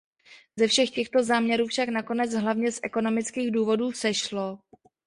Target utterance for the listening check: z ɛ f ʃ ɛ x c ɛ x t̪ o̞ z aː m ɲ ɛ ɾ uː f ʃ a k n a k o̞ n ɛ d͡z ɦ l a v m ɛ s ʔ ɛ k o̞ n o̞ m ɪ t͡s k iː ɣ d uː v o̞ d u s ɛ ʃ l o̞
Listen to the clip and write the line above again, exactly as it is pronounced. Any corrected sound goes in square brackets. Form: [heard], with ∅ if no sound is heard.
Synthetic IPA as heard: z ɛ f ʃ ɛ x c ɛ x t̪ o̞ z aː m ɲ ɛ ɾ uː f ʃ a k n a k o̞ n ɛ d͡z ɦ l a v [ɲ] ɛ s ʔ ɛ k o̞ n o̞ m ɪ t͡s k iː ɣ d uː v o̞ d [uː] s ɛ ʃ l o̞